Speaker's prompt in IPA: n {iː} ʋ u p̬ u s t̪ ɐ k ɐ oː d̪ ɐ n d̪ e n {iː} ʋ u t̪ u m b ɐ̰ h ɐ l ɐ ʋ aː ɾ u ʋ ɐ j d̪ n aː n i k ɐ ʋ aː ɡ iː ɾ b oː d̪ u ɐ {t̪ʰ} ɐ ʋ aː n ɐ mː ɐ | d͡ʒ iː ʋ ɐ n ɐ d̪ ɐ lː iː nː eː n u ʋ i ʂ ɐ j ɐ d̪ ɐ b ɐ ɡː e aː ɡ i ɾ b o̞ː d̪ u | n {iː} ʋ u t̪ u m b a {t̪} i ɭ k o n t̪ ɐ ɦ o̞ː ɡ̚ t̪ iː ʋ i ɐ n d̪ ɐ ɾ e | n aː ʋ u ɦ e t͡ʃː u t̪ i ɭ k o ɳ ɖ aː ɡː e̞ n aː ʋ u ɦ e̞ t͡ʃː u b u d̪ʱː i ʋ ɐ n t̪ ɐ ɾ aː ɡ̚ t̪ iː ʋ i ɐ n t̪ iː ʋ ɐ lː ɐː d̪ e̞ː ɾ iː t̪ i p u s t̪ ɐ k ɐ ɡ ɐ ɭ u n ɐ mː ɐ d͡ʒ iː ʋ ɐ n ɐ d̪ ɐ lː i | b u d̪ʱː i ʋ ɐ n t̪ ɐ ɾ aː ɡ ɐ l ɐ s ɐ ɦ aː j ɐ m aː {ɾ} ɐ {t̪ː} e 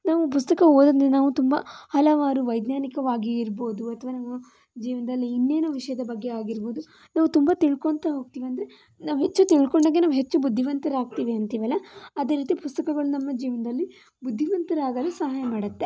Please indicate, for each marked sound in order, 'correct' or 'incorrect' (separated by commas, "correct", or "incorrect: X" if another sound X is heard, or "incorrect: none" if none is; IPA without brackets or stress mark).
incorrect: aː, incorrect: aː, correct, incorrect: aː, correct, incorrect: ɽ, correct